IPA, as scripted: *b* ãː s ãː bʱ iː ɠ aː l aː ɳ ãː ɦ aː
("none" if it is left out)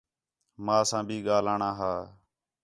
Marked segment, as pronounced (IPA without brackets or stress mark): m